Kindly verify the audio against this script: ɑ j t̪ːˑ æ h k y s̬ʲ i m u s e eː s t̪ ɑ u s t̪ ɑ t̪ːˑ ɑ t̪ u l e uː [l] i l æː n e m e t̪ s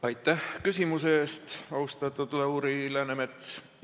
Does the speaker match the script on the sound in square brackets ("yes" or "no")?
no